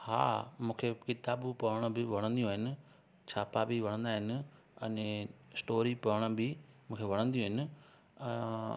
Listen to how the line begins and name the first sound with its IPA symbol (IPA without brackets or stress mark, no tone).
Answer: h